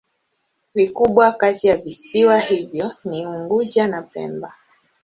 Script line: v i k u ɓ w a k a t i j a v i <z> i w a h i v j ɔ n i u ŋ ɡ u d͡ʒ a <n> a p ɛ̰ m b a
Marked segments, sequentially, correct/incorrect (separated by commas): incorrect, correct